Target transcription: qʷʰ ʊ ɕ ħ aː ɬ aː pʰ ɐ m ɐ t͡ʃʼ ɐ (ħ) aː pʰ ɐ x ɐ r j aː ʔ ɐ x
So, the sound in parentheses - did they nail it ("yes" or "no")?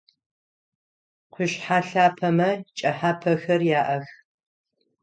yes